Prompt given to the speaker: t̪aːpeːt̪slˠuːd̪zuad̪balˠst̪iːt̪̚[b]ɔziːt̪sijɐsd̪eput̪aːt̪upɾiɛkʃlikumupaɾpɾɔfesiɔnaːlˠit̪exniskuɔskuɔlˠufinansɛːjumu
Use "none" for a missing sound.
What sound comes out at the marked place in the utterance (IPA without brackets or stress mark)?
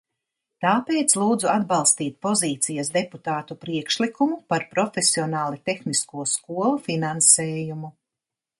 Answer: p